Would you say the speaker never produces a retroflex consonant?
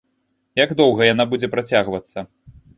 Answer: yes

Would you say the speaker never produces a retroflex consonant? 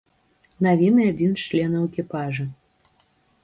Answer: no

